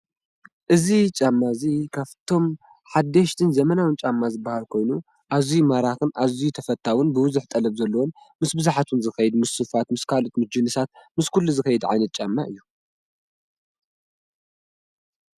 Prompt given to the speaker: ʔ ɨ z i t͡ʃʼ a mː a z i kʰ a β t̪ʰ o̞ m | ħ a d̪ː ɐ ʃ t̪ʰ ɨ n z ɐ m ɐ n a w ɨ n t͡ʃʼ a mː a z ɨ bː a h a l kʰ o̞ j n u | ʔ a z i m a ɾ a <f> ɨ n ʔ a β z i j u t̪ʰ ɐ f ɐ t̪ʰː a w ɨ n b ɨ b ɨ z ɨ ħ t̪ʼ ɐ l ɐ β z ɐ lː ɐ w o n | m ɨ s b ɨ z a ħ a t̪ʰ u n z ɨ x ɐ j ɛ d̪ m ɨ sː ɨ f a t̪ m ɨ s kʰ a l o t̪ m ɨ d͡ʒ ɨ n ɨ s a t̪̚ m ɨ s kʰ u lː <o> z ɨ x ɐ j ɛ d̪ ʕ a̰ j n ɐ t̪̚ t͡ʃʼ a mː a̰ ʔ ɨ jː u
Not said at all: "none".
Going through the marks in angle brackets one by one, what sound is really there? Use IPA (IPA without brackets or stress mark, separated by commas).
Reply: x, u